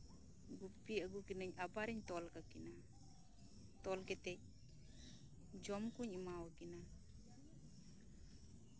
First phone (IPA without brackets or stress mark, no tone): ɡ